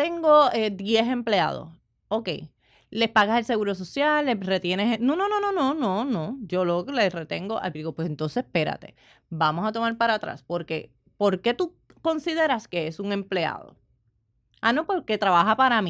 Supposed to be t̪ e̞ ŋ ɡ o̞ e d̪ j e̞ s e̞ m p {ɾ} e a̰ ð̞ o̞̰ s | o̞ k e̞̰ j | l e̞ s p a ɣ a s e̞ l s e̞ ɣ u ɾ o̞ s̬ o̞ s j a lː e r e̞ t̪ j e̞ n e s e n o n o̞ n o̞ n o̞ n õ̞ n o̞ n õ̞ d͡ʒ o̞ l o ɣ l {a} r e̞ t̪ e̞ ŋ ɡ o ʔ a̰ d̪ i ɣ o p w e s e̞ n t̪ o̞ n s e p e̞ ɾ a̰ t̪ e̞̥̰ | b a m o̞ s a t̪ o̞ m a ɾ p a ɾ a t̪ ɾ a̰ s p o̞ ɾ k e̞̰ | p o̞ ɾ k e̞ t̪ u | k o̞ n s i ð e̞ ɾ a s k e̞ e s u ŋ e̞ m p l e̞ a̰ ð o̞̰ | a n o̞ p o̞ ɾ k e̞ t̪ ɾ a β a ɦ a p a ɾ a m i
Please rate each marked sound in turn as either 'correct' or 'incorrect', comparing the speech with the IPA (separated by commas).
incorrect, incorrect